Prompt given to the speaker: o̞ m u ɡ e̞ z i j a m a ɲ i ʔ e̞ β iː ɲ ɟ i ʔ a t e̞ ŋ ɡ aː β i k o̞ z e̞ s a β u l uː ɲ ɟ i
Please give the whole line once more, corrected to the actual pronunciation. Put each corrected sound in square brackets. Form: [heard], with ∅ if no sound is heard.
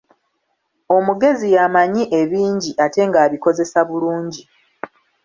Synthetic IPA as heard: o̞ m u ɡ e̞ z i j a m a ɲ i ʔ e̞ β iː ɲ ɟ i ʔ a t e̞ ŋ ɡ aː β i k o̞ z e̞ s a β u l uː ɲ ɟ i